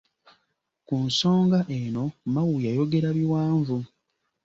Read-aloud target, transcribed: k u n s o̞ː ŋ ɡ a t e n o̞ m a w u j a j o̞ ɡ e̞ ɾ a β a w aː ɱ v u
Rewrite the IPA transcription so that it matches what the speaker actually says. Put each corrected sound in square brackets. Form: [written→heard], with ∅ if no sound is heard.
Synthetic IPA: k u n s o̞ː ŋ ɡ a [t→ʔ] e n o̞ m a w u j a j o̞ ɡ e̞ ɾ a β [a→i] w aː ɱ v u